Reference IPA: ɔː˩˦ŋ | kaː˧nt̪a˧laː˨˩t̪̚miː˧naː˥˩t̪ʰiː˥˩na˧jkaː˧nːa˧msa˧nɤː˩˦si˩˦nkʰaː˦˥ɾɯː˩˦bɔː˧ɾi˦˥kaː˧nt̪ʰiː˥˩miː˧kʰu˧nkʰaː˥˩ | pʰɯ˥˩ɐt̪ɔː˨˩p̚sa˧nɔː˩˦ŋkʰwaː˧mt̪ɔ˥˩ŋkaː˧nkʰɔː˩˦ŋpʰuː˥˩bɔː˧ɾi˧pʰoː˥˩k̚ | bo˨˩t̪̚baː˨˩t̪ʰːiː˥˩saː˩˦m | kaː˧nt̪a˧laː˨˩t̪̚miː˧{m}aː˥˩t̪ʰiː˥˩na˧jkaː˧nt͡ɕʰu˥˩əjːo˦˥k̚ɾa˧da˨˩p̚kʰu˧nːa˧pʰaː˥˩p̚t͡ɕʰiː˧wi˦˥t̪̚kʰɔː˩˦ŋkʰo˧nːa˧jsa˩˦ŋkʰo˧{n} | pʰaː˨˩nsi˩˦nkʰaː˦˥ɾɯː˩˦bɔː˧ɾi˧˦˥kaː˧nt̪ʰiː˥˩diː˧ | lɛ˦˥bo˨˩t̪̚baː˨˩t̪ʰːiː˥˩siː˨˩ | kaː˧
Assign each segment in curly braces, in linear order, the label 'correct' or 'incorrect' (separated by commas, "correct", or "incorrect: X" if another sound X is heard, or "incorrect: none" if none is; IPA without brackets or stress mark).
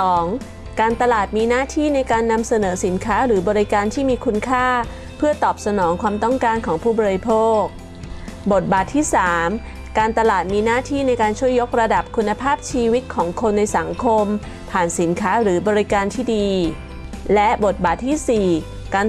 incorrect: n, incorrect: m